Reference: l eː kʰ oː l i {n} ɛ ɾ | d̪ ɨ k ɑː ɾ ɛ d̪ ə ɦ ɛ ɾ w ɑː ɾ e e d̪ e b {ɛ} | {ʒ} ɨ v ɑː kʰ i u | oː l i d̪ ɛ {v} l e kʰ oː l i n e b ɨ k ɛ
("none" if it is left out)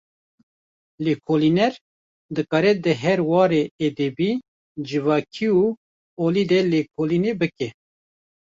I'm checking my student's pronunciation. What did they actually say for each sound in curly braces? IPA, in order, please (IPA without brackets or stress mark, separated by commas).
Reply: n, i, d͡ʒ, none